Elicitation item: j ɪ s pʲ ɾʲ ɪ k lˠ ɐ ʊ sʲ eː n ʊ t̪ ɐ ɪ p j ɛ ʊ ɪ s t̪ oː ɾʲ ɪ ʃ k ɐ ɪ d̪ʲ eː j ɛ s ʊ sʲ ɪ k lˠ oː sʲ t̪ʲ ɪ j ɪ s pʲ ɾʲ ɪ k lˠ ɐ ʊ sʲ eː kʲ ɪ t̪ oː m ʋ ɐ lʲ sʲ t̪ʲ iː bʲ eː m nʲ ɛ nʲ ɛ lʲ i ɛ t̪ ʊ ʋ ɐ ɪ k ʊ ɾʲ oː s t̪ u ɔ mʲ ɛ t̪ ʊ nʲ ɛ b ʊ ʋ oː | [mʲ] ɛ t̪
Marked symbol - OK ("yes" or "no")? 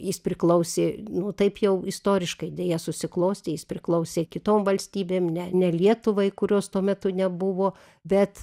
no